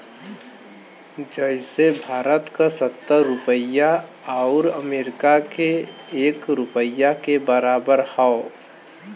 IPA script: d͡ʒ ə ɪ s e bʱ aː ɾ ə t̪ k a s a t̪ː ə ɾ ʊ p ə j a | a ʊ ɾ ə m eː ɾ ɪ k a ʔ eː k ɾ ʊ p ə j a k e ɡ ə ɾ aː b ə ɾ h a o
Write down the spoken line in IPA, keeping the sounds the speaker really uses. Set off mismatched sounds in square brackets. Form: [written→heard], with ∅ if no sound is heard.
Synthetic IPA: d͡ʒ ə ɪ s e bʱ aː ɾ ə t̪ k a s [a→ə] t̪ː ə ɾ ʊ p ə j a | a ʊ ɾ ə m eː ɾ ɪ k a [ʔ→k] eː k ɾ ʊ p ə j a k e [ɡ→b] ə ɾ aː b ə ɾ h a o